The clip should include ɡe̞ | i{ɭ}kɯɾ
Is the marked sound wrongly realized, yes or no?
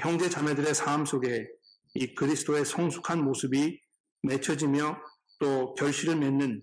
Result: yes